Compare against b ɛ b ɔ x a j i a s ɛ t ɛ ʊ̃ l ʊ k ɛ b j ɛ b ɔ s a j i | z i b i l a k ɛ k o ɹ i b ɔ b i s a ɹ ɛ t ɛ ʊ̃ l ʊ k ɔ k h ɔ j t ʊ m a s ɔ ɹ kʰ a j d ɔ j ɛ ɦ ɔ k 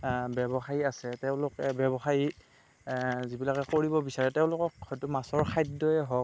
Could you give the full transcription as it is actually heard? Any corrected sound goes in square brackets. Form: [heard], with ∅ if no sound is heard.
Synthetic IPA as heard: b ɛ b ɔ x a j i a s ɛ t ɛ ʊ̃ l ʊ k ɛ b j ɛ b ɔ [x] a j i | z i b i l a k ɛ k o ɹ i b ɔ b i s a ɹ ɛ t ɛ ʊ̃ l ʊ k ɔ k h ɔ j t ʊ m a s ɔ ɹ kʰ a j d ɔ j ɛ ɦ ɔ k